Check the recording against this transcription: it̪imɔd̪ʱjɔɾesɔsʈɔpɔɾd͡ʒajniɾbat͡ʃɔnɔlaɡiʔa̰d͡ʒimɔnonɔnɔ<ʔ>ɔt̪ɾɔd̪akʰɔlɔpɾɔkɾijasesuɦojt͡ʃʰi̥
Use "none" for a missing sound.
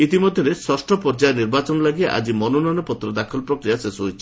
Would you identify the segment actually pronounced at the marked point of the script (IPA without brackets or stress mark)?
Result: p